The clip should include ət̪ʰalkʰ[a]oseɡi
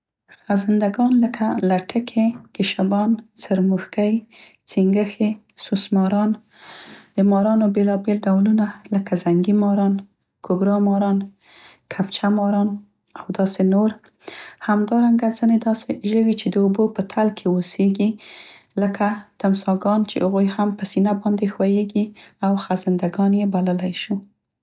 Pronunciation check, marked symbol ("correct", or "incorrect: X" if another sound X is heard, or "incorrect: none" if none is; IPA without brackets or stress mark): incorrect: e